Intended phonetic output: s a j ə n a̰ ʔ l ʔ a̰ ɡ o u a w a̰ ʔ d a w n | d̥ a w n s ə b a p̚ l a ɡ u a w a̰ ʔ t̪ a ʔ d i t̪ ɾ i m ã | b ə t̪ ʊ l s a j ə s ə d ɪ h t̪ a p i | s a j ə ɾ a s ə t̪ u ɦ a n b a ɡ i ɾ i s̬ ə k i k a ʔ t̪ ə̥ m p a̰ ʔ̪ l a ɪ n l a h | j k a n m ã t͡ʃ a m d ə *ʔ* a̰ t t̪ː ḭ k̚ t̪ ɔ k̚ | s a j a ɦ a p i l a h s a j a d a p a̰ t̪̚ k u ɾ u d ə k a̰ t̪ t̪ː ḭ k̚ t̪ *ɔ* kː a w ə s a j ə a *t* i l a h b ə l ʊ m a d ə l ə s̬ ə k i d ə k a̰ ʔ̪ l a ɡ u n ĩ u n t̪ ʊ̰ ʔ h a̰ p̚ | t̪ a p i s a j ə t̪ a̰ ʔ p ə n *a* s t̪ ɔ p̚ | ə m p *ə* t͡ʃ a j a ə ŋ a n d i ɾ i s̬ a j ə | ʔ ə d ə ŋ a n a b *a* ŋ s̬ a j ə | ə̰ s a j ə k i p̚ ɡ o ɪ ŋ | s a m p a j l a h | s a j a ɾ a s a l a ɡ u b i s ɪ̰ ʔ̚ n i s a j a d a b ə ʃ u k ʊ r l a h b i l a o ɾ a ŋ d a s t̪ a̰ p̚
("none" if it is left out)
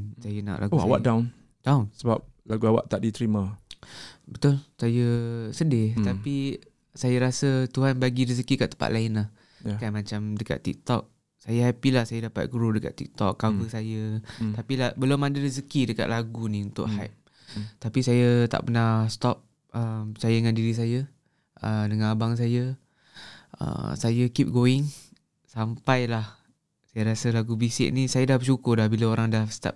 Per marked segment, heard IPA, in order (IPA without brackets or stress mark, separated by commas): k, ɔ, p, a, ə, a